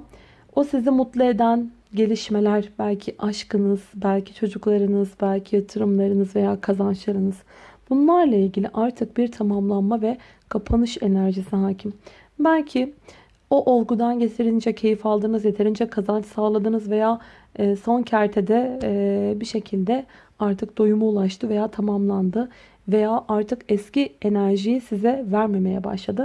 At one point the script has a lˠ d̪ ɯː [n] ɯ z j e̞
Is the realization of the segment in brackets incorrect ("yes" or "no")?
no